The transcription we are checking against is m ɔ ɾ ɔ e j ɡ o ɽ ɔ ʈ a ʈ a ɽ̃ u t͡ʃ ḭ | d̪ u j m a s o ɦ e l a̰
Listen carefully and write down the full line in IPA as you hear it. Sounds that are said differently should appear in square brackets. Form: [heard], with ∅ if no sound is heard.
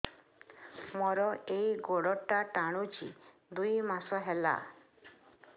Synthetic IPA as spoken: m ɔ ɾ ɔ e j ɡ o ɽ ɔ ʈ a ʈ a ɽ̃ u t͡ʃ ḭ | d̪ u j m a s [ɔ] ɦ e l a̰